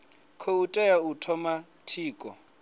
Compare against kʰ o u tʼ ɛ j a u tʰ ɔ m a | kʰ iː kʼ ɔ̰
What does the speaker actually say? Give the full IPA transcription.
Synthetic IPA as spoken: kʰ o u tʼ ɛ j a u tʰ ɔ m a | tʰ iː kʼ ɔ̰